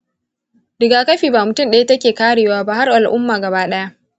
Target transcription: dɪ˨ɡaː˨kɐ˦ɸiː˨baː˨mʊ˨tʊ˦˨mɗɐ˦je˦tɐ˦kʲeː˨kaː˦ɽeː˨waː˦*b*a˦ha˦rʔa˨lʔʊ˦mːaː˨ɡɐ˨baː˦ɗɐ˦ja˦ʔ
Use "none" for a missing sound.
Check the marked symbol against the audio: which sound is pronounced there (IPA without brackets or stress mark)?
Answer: b